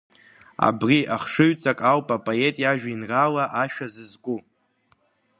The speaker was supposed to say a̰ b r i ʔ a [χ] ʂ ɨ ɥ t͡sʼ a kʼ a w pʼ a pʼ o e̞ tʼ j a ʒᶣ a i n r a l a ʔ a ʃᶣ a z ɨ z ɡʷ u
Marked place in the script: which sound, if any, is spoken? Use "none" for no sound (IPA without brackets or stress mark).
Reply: χ